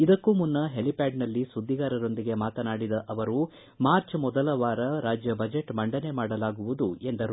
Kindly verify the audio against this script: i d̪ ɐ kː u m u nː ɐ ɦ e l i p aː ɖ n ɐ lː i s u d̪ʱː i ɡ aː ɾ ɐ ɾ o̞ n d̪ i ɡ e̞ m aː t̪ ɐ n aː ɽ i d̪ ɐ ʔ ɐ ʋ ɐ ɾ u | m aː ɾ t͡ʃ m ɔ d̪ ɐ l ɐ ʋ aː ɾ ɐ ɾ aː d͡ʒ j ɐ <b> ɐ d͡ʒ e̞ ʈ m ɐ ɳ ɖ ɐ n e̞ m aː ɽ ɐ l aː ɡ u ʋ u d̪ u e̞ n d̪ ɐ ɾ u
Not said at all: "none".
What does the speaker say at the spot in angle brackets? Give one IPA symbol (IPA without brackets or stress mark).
b